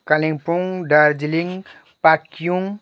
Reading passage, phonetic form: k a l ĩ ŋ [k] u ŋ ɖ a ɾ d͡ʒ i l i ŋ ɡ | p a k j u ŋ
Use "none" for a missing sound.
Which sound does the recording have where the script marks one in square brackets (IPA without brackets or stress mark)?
p